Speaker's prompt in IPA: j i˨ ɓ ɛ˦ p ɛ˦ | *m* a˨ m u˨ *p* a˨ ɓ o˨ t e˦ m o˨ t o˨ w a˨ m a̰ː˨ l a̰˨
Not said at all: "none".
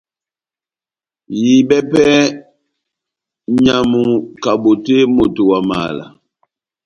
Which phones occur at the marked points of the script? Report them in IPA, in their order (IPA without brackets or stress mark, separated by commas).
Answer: ɲ, k